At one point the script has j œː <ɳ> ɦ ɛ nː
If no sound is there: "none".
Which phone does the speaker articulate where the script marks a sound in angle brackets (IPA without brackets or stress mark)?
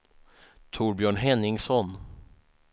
ɳ